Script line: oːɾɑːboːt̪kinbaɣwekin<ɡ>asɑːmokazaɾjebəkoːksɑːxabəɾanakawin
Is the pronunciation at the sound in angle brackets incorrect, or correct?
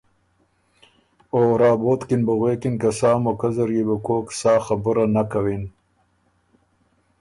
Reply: incorrect